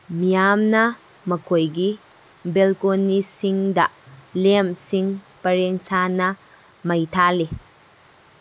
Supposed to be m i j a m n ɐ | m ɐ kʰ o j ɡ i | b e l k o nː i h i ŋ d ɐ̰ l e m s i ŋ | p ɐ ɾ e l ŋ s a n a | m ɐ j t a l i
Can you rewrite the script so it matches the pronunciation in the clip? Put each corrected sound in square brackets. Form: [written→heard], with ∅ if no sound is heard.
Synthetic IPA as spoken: m i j a m n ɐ | m ɐ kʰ o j ɡ i | b e l k o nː i [h→s] i ŋ d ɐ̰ l e m s i ŋ | p ɐ ɾ e [l→∅] ŋ s a n [a→ɐ] | m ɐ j [t→tʰ] a l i

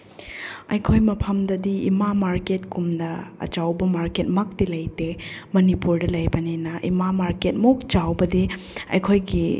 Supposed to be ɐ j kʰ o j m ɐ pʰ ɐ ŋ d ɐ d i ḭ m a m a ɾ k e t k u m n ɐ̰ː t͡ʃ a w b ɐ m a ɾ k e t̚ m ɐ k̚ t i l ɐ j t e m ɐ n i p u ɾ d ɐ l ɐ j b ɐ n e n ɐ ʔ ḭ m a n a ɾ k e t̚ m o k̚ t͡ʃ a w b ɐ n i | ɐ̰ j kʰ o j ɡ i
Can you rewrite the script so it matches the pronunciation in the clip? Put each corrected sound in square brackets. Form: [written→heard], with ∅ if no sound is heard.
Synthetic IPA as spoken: ɐ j kʰ o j m ɐ pʰ ɐ [ŋ→m] d ɐ d i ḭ m a m a ɾ k e t k u m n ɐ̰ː t͡ʃ a w b ɐ m a ɾ k e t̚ m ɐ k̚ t i l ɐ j t e m ɐ n i p u ɾ d ɐ l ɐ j b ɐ n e n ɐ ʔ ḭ m a [n→m] a ɾ k e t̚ m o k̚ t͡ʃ a w b ɐ [n→d] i | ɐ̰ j kʰ o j ɡ i

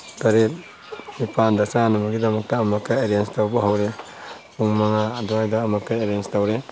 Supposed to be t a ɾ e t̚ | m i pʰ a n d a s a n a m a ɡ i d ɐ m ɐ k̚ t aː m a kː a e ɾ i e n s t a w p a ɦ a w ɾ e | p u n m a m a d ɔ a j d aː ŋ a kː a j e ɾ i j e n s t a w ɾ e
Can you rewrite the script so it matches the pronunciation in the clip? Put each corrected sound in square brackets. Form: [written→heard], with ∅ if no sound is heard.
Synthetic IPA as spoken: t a ɾ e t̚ | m i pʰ a n d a s a n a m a ɡ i d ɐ m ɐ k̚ t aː m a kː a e ɾ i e n s t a w [p→b] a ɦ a w ɾ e | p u [n→ŋ] m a [m→ŋ] a d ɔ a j d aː [ŋ→m] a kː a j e ɾ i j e n s t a w ɾ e

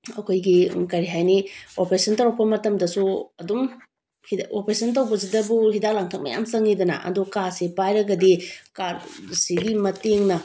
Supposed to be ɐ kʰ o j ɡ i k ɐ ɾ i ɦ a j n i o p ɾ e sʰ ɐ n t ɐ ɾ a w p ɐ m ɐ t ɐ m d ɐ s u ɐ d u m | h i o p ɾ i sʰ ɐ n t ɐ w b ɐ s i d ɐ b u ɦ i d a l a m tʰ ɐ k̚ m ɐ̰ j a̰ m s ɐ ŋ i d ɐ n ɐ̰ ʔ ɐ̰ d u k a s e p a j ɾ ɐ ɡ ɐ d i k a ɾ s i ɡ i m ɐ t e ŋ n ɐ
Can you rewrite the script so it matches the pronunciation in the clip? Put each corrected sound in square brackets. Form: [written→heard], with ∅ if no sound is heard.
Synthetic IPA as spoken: ɐ kʰ o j ɡ i k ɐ ɾ i ɦ a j n i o p ɾ e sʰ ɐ n t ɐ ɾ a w p ɐ m ɐ t ɐ m d ɐ s u ɐ d u m | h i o p ɾ [i→e] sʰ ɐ n t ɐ w b ɐ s i d ɐ b u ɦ i d a l a [m→ŋ] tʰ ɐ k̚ m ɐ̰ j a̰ m s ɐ ŋ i d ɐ n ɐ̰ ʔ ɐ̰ d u k a s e p a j ɾ ɐ ɡ ɐ d i k a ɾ s i ɡ i m ɐ t e ŋ n ɐ

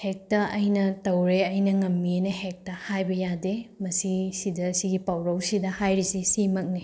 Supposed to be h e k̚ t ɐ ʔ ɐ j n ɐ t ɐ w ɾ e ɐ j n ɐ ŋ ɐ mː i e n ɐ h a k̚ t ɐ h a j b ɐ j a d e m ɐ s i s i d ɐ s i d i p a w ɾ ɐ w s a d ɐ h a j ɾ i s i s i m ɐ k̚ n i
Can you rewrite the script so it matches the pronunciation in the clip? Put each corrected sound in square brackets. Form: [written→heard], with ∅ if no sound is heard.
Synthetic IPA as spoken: h e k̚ t ɐ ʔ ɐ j n ɐ t ɐ w ɾ e ɐ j n ɐ ŋ ɐ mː i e n ɐ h [a→e] k̚ t ɐ h a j b ɐ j a d e m ɐ s i s i d ɐ s i [d→ɡ] i p a w ɾ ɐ w s [a→i] d ɐ h a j ɾ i s i s i m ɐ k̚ n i

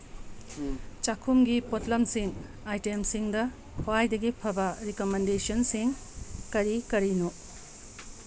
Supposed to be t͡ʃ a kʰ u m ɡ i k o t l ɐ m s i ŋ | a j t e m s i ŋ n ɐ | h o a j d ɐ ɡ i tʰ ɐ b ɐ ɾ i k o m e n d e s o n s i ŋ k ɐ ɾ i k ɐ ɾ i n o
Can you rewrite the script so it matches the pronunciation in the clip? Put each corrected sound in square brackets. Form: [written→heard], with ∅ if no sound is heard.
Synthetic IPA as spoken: t͡ʃ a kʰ u m ɡ i [k→p] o t l ɐ m s i ŋ | a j t e m s i ŋ [n→d] ɐ | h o a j d ɐ ɡ i [tʰ→pʰ] ɐ b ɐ ɾ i k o m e n d e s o n s i ŋ k ɐ ɾ i k ɐ ɾ i n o

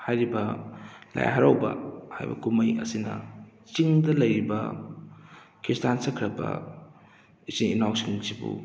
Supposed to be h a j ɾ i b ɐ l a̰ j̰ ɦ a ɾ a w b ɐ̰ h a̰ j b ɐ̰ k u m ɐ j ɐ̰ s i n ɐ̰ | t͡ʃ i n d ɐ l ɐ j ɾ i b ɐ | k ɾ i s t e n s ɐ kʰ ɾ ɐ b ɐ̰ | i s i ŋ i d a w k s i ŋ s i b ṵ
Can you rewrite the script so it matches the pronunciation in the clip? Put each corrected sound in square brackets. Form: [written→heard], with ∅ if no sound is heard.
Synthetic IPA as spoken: h a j ɾ i b ɐ l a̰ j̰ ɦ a ɾ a w b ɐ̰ h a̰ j b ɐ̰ k u m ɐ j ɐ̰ s i n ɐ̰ | t͡ʃ i [n→ŋ] d ɐ l ɐ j ɾ i b ɐ | k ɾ i s t [e→a] n s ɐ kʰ ɾ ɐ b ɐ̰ | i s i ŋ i [d→n] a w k s i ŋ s i b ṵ

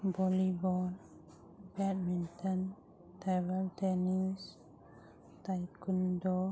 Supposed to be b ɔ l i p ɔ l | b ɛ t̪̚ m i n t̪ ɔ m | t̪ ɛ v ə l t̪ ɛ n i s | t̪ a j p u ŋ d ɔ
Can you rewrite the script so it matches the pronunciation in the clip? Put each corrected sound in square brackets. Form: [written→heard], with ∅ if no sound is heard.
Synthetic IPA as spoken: b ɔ l i [p→b] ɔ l | b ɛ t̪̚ m i n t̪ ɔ [m→n] | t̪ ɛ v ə l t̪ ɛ n i s | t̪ a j [p→k] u [ŋ→n] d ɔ

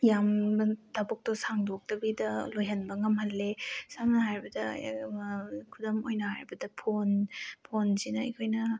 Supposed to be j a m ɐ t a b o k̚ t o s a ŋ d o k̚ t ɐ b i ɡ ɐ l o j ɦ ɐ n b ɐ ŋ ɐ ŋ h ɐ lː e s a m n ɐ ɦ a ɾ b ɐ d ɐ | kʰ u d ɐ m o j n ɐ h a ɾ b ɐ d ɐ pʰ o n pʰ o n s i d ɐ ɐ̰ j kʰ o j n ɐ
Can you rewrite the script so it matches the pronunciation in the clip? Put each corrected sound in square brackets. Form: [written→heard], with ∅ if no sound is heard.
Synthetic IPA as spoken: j a m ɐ t a b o k̚ t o s a ŋ d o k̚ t ɐ b i [ɡ→d] ɐ l o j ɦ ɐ n b ɐ ŋ ɐ [ŋ→m] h ɐ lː e s a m n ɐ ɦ a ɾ b ɐ d ɐ | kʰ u d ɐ m o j n ɐ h a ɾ b ɐ d ɐ pʰ o n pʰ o n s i [d→n] ɐ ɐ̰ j kʰ o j n ɐ

